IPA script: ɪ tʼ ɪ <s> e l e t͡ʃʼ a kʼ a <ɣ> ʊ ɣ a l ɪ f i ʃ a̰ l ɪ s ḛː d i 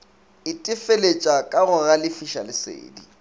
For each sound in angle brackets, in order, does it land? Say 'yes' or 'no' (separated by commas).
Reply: no, yes